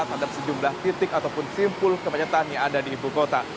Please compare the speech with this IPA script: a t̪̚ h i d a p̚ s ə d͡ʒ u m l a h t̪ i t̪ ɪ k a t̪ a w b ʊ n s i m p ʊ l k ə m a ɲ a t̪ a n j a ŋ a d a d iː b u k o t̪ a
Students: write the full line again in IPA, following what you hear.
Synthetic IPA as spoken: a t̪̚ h a d a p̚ s ə d͡ʒ u m l a h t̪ i t̪ ɪ k a t̪ a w p ʊ n s i m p ʊ l k ə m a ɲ a t̪ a n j a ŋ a d a d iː b u k o t̪ a